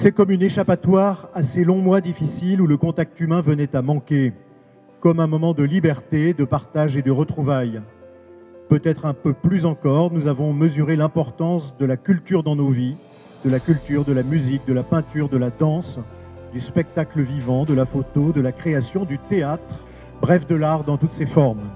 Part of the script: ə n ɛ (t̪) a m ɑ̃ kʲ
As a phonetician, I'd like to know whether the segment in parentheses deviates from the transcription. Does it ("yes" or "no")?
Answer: no